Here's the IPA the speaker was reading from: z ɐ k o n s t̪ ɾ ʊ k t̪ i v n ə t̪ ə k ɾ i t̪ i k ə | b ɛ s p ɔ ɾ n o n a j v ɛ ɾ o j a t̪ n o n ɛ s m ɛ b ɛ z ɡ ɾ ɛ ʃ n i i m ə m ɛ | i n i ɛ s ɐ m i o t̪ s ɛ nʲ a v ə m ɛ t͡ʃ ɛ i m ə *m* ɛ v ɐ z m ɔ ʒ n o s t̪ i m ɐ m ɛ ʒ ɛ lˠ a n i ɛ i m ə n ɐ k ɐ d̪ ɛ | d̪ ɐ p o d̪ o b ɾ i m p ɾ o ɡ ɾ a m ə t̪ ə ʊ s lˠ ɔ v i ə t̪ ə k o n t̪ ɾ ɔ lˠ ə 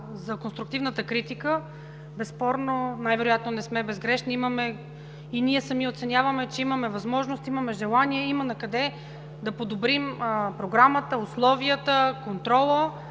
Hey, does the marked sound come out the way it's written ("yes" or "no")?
yes